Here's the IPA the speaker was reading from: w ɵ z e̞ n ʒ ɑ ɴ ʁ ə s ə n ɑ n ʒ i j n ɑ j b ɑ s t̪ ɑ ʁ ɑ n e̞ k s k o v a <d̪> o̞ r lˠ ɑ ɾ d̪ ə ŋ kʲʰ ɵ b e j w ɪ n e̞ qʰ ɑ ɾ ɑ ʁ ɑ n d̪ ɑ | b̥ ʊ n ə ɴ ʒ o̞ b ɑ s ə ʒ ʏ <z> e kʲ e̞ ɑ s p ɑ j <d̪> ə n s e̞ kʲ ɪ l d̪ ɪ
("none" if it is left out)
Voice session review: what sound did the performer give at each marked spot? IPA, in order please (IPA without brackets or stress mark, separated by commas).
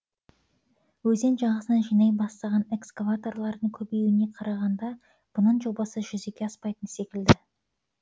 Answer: t̪, z, t̪